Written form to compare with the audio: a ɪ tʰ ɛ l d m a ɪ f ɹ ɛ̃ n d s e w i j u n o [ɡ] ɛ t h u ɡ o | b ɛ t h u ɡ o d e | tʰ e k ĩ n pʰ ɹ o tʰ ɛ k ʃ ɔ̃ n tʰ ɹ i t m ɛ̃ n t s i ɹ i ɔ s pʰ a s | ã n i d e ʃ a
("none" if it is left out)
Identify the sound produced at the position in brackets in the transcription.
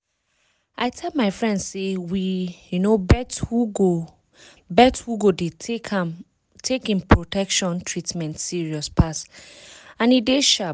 b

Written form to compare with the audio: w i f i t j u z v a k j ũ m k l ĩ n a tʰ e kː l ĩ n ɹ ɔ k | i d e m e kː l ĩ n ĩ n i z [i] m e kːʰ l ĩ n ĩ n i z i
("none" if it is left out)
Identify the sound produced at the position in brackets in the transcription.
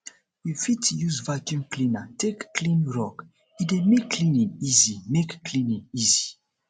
i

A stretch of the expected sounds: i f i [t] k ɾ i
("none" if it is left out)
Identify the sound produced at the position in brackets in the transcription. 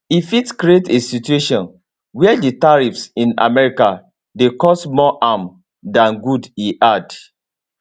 t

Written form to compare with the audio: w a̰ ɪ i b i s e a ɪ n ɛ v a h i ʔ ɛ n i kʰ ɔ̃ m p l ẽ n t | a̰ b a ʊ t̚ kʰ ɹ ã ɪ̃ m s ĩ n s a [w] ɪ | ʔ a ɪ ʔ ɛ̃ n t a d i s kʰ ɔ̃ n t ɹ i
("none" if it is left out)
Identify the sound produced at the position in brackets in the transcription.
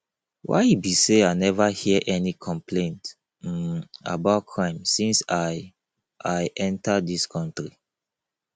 none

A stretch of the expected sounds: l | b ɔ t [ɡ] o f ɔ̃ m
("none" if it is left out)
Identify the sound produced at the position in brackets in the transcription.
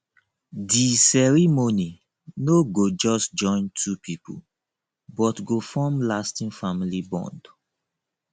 ɡ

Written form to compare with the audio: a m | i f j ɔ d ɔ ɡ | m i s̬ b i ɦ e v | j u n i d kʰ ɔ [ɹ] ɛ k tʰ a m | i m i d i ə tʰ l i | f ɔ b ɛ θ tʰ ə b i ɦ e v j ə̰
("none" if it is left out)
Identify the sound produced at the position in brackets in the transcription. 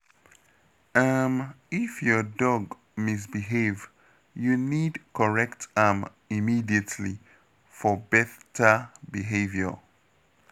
ɹ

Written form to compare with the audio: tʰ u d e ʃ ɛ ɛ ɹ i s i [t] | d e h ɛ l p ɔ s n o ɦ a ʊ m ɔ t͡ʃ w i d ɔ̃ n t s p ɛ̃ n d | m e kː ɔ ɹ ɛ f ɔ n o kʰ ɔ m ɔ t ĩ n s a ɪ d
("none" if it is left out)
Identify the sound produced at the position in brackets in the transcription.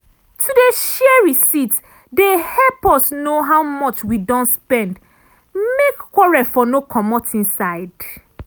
t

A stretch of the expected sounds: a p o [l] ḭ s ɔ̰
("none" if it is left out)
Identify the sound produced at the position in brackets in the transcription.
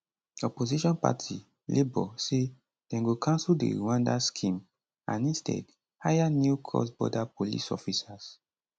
l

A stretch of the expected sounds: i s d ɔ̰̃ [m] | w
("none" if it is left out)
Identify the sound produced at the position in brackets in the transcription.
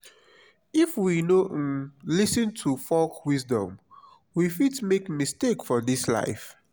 m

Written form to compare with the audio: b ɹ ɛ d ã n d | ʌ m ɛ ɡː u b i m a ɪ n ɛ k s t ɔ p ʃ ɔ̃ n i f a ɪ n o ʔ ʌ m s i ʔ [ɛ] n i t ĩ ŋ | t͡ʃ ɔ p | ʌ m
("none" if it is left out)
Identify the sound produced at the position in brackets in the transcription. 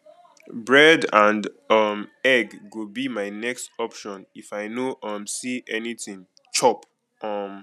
ɛ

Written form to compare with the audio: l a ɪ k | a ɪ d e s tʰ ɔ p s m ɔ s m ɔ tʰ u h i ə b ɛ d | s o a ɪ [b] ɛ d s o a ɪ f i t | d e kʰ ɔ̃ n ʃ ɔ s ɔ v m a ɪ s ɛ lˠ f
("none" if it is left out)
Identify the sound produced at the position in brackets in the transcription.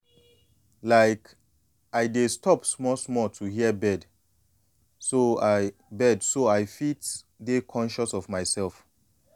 b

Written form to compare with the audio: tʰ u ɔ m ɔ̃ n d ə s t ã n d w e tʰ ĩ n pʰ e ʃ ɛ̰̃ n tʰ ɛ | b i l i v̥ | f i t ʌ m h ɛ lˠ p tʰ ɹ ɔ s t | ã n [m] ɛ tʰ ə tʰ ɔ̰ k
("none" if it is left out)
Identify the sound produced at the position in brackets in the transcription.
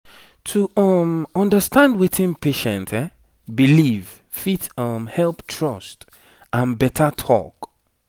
b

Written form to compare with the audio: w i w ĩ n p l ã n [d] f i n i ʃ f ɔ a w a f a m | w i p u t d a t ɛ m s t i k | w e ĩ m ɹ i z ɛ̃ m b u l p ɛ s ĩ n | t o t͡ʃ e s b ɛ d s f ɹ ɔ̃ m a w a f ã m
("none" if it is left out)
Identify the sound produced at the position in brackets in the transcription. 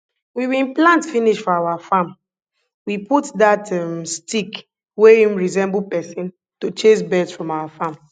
t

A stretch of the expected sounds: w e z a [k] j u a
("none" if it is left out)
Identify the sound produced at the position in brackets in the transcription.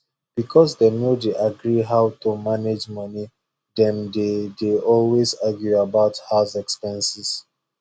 ɡ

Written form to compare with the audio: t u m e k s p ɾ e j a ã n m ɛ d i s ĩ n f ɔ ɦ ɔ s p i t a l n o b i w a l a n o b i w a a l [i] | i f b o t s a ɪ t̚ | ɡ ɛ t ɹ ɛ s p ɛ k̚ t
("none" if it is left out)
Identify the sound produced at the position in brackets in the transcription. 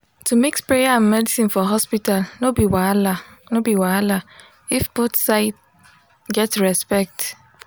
a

